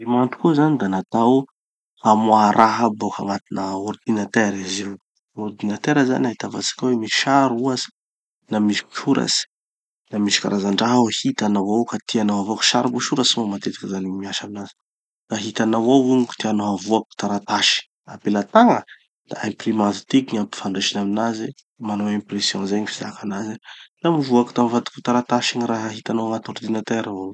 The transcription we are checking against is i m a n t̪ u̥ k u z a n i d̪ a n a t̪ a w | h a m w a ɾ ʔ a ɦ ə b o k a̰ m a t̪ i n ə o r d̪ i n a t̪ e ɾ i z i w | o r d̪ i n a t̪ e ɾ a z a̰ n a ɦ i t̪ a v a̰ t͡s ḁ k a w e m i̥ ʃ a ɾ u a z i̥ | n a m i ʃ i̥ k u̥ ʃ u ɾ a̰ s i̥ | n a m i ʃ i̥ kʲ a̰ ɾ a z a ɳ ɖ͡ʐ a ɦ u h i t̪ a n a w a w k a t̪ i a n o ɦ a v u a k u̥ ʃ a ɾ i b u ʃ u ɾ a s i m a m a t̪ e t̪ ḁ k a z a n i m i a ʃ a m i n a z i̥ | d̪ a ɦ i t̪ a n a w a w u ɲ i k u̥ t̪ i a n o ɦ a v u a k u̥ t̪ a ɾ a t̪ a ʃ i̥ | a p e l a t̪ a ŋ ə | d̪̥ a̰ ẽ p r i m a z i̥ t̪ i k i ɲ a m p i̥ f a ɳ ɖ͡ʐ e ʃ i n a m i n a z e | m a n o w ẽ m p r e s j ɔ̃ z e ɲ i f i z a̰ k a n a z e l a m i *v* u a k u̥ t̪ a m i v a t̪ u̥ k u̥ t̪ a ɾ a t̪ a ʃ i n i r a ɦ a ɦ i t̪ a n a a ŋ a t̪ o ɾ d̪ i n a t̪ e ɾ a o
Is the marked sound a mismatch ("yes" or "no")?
no